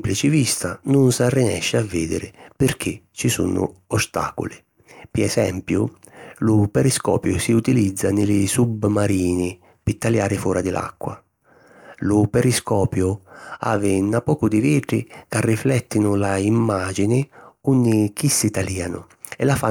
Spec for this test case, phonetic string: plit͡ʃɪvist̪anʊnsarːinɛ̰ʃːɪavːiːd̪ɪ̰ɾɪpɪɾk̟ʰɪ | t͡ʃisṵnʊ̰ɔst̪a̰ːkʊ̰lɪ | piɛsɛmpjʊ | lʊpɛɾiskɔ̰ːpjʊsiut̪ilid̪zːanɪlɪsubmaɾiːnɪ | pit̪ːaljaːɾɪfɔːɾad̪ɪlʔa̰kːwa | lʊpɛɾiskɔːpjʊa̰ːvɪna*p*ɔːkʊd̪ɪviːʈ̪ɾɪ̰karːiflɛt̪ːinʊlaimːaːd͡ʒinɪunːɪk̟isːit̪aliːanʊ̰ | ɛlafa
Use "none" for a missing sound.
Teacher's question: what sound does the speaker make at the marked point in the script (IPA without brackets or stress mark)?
p